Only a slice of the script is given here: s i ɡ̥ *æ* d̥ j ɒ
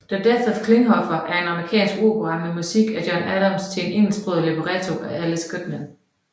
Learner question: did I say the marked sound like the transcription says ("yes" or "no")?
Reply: yes